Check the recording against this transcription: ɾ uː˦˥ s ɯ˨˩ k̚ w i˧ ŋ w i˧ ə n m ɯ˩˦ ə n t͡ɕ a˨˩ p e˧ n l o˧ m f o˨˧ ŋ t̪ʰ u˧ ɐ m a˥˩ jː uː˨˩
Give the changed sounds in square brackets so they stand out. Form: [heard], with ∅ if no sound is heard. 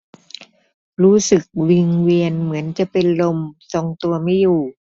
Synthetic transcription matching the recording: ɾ uː˦˥ s ɯ˨˩ k̚ w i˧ ŋ w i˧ ə n m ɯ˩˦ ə n t͡ɕ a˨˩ p e˧ n l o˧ m [s] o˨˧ ŋ [t̪] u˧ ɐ m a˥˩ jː uː˨˩